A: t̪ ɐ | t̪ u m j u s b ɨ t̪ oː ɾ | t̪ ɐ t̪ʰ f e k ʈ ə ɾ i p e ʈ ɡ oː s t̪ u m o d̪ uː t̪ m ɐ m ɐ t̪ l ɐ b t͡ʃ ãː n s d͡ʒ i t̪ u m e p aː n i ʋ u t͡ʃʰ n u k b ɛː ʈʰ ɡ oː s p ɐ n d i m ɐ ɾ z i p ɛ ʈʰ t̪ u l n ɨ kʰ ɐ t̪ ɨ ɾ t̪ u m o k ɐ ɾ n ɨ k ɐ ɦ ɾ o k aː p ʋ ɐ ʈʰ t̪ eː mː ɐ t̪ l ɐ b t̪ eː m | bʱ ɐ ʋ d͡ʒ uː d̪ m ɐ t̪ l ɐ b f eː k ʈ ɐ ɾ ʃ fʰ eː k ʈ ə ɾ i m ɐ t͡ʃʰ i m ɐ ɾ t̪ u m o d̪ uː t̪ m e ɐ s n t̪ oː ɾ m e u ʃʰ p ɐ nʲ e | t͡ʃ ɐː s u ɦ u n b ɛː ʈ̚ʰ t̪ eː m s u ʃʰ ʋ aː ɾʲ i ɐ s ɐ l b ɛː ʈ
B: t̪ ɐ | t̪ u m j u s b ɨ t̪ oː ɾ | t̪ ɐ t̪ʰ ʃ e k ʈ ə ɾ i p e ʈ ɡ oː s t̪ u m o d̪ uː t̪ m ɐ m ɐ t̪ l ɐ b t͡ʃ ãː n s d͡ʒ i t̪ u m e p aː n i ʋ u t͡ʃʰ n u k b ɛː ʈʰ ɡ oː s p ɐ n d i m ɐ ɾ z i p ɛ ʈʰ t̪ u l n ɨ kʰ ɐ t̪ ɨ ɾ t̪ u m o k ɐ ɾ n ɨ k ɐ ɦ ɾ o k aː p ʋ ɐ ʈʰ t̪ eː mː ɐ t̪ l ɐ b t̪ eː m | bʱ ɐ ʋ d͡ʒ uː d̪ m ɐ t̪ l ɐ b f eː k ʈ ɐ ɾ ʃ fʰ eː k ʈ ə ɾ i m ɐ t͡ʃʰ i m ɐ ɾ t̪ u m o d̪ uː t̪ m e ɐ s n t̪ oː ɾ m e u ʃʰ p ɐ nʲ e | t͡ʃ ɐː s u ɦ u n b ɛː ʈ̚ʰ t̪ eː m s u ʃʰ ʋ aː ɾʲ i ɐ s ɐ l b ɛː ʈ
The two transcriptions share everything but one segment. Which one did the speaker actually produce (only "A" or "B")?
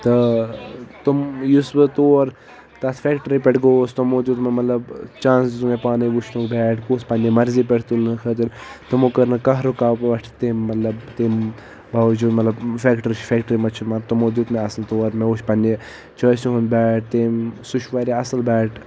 A